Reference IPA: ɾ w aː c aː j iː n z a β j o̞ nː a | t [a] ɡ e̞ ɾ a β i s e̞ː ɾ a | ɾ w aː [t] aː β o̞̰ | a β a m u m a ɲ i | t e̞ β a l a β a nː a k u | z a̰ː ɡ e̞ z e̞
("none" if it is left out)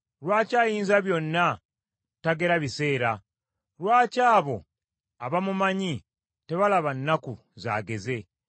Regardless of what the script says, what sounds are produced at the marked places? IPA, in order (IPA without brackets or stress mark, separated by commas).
a, c